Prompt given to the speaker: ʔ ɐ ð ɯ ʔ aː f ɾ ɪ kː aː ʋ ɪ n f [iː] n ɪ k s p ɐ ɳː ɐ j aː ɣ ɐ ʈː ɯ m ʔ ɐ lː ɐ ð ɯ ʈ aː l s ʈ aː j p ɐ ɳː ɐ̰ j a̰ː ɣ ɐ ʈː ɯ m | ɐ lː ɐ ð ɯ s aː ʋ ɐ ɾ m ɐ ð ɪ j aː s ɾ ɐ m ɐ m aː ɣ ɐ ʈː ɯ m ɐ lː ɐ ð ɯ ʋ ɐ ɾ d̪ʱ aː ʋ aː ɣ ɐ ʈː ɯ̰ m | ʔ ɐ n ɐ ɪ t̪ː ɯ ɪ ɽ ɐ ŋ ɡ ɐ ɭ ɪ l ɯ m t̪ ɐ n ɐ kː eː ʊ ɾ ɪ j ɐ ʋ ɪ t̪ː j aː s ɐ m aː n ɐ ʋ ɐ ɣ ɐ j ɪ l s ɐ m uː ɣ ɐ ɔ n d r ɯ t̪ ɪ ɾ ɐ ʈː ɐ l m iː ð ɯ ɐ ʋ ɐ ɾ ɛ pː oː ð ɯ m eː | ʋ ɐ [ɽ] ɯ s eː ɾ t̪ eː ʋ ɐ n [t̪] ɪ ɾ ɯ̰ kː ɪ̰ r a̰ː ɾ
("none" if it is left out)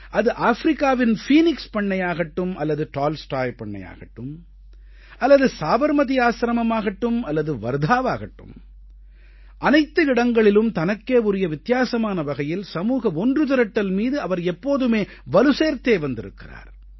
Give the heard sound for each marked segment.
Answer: iː, l, d̪

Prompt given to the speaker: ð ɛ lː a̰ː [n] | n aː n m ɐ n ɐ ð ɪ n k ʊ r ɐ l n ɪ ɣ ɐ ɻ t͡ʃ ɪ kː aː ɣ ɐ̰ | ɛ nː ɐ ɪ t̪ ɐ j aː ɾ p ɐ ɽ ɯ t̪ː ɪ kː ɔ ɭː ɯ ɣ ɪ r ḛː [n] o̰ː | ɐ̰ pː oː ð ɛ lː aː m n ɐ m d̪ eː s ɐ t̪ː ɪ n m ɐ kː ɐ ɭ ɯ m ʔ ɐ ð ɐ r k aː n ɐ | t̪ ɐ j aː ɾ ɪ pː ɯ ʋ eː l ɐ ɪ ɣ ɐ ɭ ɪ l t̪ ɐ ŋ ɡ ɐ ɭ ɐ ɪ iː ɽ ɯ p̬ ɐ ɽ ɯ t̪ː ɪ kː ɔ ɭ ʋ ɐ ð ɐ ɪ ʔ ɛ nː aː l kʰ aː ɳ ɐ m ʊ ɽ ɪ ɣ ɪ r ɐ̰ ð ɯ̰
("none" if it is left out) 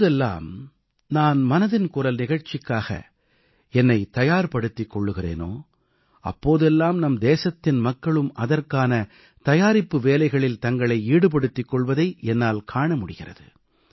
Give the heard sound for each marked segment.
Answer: m, n

